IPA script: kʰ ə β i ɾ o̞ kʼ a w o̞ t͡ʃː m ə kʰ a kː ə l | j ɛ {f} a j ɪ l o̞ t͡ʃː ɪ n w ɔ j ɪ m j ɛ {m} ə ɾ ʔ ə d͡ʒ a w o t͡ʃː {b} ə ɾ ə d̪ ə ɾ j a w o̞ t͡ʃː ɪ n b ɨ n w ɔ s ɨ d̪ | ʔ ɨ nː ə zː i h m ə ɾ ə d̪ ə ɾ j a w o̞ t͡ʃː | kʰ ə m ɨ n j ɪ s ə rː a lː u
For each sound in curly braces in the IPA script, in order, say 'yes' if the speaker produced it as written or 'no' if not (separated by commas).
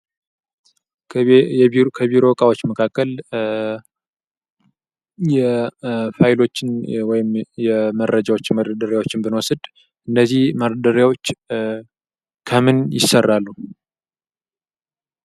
yes, yes, no